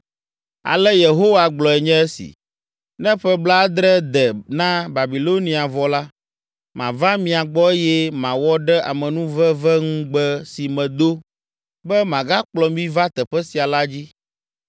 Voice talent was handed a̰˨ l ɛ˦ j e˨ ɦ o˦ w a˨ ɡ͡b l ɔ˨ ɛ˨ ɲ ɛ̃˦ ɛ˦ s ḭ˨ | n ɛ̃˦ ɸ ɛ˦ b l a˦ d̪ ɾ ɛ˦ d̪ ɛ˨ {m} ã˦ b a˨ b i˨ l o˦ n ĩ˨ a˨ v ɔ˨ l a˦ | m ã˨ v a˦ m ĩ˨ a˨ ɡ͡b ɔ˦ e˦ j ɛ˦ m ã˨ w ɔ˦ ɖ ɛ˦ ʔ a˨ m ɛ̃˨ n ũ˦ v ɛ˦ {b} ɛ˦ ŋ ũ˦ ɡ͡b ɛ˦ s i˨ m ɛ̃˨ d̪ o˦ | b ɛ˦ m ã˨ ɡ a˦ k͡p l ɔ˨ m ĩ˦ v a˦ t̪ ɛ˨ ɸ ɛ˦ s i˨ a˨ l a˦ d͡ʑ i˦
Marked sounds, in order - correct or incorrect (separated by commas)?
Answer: incorrect, incorrect